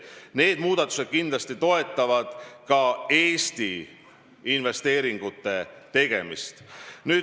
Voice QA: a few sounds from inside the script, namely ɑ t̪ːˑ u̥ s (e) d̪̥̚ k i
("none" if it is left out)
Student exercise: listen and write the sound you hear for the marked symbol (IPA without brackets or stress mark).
e